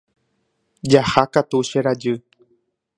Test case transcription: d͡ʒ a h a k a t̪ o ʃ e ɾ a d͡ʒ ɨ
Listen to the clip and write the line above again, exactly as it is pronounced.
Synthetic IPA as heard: d͡ʒ a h a k a t̪ u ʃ e ɾ a d͡ʒ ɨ